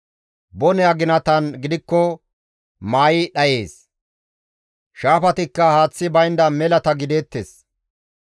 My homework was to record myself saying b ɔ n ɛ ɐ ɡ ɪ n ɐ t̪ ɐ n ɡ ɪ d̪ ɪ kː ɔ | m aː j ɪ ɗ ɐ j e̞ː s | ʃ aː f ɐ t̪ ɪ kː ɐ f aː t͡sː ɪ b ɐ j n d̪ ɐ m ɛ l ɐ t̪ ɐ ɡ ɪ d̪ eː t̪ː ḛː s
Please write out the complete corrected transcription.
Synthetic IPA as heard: b ɔ n ɛ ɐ ɡ ɪ n ɐ t̪ ɐ n ɡ ɪ d̪ ɪ kː ɔ | m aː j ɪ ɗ ɐ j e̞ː s | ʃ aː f ɐ t̪ ɪ kː ɐ h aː t͡sː ɪ b ɐ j n d̪ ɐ m ɛ l ɐ t̪ ɐ ɡ ɪ d̪ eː t̪ː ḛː s